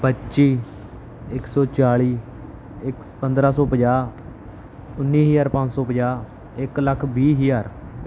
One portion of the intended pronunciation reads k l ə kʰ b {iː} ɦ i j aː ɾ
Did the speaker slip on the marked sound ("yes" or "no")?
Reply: no